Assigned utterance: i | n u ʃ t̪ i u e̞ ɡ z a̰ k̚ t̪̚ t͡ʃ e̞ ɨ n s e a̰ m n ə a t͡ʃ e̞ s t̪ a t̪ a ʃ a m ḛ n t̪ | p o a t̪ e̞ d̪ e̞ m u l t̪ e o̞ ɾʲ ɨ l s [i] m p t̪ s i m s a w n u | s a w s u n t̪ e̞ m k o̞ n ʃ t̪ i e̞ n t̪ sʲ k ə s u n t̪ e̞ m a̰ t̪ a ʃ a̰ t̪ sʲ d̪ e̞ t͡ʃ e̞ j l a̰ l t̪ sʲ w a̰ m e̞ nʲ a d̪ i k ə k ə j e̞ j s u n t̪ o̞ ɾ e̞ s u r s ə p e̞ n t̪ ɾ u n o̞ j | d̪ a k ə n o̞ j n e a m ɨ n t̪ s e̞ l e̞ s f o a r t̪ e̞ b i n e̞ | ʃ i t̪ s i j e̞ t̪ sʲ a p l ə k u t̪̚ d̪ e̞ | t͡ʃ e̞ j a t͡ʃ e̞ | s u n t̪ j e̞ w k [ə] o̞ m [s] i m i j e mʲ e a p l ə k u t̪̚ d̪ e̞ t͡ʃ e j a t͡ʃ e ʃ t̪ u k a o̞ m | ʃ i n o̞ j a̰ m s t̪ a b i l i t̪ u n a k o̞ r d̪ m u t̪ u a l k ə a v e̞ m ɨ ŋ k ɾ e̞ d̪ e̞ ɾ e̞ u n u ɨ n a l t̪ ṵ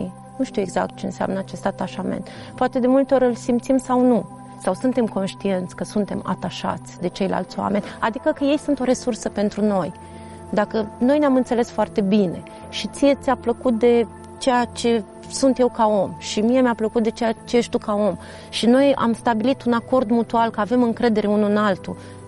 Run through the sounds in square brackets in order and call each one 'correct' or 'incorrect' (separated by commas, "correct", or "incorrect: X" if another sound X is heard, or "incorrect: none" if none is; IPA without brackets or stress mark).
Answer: correct, incorrect: a, incorrect: ʃ